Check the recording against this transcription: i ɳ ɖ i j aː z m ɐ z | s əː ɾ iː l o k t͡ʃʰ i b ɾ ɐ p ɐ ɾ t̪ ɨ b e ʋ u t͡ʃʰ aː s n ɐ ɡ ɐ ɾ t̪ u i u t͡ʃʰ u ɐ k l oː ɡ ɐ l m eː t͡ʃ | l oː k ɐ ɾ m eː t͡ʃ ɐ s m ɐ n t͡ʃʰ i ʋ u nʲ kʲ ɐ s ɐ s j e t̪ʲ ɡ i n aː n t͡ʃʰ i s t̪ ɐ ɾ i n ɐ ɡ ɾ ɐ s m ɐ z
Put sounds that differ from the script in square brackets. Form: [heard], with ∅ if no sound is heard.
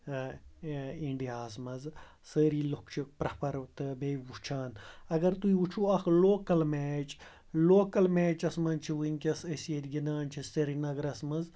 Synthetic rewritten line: i ɳ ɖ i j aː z m ɐ z | s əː ɾ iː l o k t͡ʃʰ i [p] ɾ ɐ p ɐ ɾ t̪ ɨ b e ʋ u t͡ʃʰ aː [∅] n ɐ ɡ ɐ ɾ t̪ u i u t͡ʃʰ u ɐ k l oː [k] ɐ l m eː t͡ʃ | l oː k ɐ [l] m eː t͡ʃ ɐ s m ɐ n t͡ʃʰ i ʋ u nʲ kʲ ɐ s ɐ s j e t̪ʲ ɡ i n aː n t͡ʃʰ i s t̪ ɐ ɾ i n ɐ ɡ ɾ ɐ s m ɐ z